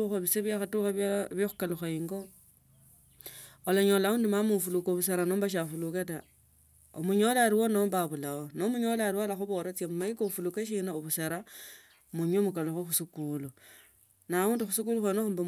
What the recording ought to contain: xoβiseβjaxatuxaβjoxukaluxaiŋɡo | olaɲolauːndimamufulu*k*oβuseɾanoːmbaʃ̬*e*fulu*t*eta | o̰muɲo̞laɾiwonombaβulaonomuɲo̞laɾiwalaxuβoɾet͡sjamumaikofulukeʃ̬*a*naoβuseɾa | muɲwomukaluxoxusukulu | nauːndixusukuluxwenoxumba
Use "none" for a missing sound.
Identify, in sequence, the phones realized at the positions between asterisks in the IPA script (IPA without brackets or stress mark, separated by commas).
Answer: k, a, k, i